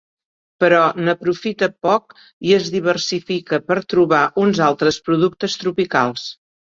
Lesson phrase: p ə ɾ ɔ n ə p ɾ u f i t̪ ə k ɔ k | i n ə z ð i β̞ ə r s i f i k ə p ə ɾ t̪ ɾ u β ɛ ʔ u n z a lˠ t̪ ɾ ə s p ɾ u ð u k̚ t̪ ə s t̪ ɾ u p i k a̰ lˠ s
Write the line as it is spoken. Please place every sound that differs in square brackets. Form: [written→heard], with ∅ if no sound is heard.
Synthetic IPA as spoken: p ə ɾ ɔ n ə p ɾ u f i t̪ ə [k→p] ɔ k | i [n→∅] ə z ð i β̞ ə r s i f i k ə p ə ɾ t̪ ɾ u β [ɛ→a] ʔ u n z a lˠ t̪ ɾ ə s p ɾ u ð u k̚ t̪ ə s t̪ ɾ u p i k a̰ lˠ s